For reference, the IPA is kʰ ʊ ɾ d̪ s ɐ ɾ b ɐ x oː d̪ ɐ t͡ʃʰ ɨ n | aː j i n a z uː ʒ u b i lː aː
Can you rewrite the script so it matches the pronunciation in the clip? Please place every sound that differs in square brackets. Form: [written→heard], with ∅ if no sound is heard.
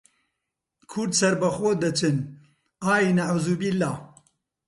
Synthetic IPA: kʰ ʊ ɾ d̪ s ɐ ɾ b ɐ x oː d̪ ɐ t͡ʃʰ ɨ n | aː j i n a [z→ʕ] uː [ʒ→z] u b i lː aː